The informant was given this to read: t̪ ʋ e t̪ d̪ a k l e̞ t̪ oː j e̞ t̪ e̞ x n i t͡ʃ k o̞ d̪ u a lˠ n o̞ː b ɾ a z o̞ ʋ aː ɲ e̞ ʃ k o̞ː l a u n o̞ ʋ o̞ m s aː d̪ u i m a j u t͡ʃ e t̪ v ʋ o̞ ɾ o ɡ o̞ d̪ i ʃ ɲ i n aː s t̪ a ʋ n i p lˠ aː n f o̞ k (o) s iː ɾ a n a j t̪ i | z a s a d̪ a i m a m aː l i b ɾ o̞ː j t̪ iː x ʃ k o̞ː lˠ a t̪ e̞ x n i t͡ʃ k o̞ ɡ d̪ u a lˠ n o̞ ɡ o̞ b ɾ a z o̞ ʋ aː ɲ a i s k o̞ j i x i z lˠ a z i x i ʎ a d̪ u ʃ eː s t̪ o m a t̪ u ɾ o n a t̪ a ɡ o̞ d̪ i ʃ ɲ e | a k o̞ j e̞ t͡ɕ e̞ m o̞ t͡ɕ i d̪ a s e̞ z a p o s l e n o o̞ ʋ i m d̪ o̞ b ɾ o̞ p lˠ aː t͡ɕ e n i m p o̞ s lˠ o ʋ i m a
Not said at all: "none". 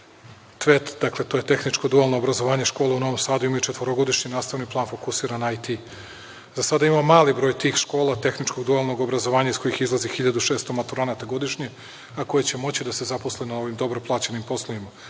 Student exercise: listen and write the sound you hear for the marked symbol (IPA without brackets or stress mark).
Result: u